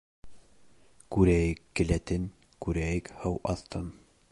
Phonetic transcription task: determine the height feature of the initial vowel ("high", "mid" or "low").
high